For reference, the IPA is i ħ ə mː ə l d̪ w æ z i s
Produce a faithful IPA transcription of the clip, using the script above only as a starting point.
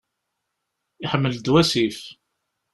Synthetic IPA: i ħ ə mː ə l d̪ w æ s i f